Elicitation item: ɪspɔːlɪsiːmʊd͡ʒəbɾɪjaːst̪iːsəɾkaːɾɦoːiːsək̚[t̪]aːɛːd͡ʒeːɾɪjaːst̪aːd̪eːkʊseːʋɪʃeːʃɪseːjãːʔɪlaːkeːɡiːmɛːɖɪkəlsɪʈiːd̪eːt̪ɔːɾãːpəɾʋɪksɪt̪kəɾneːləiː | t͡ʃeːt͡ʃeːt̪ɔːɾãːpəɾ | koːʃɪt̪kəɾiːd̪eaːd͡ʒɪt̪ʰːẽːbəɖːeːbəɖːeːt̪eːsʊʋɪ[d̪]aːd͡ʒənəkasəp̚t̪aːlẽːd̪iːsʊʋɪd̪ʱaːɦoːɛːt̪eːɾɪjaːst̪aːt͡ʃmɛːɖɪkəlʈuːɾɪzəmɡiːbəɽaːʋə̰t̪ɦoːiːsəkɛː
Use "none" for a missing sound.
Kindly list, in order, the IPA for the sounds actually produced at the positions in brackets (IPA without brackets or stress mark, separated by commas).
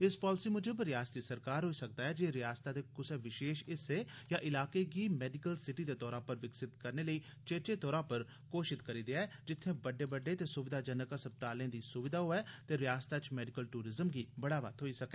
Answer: d̪, d̪